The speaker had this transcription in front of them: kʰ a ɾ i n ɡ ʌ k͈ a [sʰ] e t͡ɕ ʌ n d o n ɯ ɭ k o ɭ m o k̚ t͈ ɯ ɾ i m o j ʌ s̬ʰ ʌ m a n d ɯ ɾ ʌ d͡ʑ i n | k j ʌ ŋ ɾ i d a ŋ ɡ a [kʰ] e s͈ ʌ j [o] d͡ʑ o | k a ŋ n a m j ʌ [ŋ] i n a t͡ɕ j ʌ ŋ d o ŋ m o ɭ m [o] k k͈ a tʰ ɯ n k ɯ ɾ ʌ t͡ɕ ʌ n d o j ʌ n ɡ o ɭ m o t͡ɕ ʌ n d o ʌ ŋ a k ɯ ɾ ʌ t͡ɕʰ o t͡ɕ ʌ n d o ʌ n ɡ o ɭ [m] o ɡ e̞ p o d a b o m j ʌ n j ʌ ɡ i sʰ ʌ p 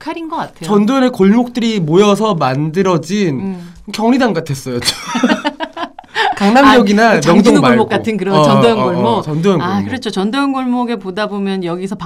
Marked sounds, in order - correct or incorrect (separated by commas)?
incorrect, incorrect, correct, incorrect, correct, correct